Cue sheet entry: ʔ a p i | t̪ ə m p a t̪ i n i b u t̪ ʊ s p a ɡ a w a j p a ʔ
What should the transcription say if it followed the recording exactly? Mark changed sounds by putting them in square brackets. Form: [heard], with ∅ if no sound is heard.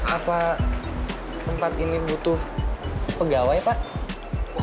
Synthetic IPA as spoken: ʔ a p [a] | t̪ ə m p a t̪ i n i b u t̪ ʊ [h] p [ə] ɡ a w a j p a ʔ